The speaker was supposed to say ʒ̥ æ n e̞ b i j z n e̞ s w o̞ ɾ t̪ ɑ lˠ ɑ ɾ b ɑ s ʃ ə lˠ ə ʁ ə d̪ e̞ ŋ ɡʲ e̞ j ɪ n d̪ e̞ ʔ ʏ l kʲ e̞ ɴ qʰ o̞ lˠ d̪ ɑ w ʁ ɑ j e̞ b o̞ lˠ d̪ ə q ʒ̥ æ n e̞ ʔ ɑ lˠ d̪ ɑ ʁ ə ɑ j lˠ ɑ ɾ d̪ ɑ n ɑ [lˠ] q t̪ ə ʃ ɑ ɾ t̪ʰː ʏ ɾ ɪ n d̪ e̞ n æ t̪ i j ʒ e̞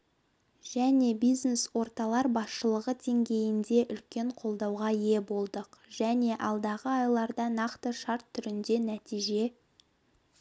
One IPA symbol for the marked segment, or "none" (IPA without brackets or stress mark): none